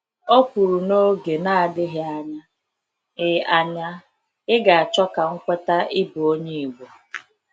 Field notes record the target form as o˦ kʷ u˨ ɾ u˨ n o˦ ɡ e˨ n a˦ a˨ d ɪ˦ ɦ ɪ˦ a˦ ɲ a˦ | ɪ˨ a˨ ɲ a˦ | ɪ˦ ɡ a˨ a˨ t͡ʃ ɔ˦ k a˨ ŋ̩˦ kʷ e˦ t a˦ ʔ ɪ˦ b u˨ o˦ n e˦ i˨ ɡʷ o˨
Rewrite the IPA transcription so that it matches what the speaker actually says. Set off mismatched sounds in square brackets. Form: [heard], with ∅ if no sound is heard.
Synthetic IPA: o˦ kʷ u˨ ɾ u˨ n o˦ ɡ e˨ n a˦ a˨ d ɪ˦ ɦ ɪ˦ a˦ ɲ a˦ | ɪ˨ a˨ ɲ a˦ | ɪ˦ ɡ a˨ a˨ t͡ʃ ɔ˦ k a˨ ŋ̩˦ kʷ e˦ t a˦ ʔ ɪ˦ b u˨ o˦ [ɲ] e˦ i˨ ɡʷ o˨